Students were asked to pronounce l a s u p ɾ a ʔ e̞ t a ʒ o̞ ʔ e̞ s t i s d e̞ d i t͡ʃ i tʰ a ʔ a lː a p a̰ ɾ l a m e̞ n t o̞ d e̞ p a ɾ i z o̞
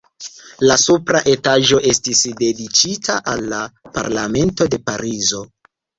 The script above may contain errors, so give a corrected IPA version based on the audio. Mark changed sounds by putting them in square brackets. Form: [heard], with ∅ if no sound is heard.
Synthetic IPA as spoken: l a s u p ɾ a ʔ e̞ t a ʒ o̞ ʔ e̞ s t i s d e̞ d i t͡ʃ i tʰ a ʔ a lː a p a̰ ɾ l a m e̞ n t o̞ d e̞ p a ɾ i z o̞